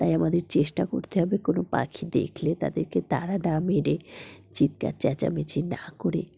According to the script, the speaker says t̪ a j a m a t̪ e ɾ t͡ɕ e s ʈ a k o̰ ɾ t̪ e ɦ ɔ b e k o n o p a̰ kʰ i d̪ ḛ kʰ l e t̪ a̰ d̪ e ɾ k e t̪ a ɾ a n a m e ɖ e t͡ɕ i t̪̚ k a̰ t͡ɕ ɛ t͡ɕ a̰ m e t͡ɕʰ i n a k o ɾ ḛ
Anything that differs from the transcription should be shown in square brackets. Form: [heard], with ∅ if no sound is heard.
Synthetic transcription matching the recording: t̪ a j a m a [d̪] e ɾ t͡ɕ e [ʃ] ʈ a k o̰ ɾ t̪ e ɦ ɔ b e k o n o p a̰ kʰ i d̪ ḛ kʰ l e t̪ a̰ d̪ e ɾ k e t̪ a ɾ a n a m e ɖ e t͡ɕ i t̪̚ k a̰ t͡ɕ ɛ t͡ɕ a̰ m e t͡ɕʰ i n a k o ɾ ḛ